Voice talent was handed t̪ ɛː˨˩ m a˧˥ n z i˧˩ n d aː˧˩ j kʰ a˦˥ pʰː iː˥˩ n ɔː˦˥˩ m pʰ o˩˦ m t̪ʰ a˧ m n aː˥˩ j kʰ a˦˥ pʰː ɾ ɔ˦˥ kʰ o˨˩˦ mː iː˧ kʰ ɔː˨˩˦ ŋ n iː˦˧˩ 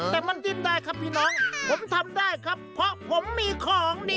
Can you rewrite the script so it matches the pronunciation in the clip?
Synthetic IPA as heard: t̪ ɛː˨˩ m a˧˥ n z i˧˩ n d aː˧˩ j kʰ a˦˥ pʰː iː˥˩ n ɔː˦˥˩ ŋ pʰ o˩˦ m t̪ʰ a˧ m d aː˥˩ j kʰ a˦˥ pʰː ɾ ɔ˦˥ pʰ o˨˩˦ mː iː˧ kʰ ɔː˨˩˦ ŋ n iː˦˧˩